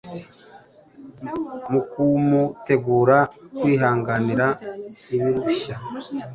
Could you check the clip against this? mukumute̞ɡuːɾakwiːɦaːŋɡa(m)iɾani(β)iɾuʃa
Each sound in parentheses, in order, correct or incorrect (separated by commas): incorrect, correct